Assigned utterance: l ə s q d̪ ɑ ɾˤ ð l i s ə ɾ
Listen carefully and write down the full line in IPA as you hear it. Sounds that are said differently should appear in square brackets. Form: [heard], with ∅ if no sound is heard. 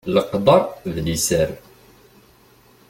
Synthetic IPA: l ə [∅] q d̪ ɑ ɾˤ ð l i s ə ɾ